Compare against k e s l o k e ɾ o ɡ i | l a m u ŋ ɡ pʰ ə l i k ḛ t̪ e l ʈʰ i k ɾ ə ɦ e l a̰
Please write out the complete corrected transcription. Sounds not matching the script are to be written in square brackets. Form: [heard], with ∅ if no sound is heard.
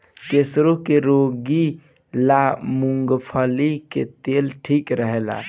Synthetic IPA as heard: k e s [ɾ] o k e ɾ o ɡ i | l a m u ŋ ɡ pʰ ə l i k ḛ t̪ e l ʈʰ i k ɾ ə ɦ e l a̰